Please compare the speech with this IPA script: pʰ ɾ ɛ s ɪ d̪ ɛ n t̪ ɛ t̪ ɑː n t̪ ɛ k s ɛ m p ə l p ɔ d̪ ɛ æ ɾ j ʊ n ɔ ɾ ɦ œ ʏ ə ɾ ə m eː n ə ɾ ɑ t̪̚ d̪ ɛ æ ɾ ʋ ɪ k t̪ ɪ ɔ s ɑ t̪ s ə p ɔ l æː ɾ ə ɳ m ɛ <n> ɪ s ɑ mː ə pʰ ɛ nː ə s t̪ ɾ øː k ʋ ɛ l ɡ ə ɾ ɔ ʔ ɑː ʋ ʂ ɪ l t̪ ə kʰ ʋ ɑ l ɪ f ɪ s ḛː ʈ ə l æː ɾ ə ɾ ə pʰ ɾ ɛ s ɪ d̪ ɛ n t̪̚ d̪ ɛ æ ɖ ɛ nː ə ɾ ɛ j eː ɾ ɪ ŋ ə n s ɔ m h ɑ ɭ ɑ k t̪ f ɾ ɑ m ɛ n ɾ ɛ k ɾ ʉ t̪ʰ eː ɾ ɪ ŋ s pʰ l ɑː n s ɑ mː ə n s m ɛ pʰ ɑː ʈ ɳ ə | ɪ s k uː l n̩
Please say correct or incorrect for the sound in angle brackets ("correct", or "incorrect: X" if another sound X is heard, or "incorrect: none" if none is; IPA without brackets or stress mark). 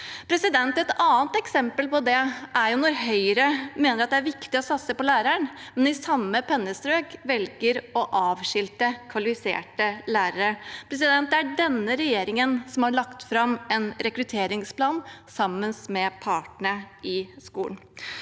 correct